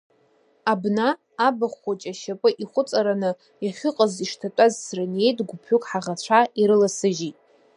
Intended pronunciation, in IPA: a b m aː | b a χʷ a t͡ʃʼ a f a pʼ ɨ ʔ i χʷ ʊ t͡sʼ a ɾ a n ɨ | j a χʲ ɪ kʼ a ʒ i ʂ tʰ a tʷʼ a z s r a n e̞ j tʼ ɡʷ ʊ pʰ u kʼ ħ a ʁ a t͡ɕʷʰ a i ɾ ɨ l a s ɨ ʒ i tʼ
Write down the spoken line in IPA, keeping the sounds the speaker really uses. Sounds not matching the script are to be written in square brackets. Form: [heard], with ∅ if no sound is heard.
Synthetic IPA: a b [n] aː | b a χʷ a t͡ʃʼ a [ʃ] a pʼ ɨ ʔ i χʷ ʊ t͡sʼ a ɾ a n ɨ | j a χʲ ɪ [qʼ] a [z] i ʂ tʰ a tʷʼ a z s r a n e̞ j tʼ ɡʷ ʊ pʰ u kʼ ħ a ʁ a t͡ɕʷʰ a i ɾ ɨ l a s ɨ ʒ i tʼ